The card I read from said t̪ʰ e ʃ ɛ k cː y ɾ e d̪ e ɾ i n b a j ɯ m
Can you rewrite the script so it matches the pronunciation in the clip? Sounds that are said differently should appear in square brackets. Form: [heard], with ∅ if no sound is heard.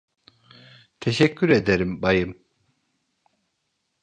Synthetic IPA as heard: t̪ʰ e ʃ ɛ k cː y ɾ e d̪ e ɾ i [m] b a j ɯ m